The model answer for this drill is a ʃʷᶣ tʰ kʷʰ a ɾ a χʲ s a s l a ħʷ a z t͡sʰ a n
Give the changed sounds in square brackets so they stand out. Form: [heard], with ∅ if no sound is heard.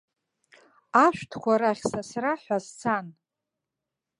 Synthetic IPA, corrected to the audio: a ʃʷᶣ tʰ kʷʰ a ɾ a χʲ s a s [r] a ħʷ a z t͡sʰ a n

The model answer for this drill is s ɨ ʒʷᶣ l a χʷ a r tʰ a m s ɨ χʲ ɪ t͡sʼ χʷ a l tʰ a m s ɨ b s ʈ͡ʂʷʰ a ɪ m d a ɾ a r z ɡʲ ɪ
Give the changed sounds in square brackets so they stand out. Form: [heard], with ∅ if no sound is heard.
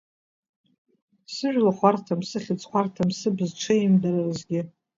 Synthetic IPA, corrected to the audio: s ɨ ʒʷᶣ l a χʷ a r tʰ a m s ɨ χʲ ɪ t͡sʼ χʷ a [r] tʰ a m s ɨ b [z] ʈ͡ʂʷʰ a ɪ m d a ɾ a r z ɡʲ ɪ

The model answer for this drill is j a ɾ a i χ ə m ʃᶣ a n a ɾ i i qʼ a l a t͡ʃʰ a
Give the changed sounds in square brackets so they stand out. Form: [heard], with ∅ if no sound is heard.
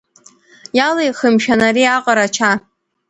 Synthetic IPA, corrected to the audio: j a [l] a [j] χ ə m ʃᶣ a n a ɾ i [a] qʼ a [ɾ] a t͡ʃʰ a

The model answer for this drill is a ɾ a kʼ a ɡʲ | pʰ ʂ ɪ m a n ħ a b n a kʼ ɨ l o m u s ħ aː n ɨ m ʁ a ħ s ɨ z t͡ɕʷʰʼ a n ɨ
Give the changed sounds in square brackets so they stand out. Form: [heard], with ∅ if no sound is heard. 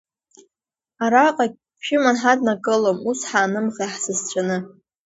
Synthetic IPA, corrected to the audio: a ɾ a [qʼ] a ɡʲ | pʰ [ʃ] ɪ m a n ħ a [d] n a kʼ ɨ l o m u s ħ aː n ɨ m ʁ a ħ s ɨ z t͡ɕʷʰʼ a n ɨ

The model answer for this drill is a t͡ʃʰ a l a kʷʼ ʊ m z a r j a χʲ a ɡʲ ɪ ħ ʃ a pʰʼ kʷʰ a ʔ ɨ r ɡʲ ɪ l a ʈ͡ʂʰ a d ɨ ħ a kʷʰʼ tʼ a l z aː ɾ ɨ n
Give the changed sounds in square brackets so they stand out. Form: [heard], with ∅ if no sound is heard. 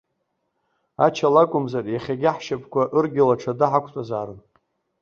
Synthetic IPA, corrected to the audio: a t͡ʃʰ a l a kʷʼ ʊ m z a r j a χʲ a ɡʲ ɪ ħ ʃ a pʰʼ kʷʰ a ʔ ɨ r ɡʲ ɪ l a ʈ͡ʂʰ a d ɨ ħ a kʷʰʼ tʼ a [∅] z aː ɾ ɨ n

